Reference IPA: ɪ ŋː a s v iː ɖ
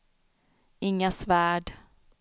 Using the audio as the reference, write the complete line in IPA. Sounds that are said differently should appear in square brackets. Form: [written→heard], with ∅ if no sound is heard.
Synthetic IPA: ɪ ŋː a s v [iː→æː] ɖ